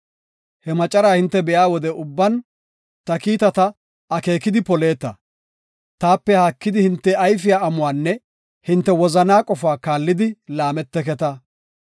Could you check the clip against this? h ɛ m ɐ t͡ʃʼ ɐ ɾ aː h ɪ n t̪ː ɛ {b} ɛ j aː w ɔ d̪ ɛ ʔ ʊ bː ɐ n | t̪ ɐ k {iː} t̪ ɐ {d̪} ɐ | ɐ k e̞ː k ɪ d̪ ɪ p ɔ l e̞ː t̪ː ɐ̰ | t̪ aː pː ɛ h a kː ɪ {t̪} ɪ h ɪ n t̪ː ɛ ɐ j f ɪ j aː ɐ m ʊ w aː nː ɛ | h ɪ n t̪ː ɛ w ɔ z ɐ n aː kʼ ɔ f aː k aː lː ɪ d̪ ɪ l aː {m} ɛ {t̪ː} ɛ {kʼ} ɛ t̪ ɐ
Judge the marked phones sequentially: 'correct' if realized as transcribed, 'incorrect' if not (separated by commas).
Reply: correct, correct, incorrect, incorrect, correct, correct, incorrect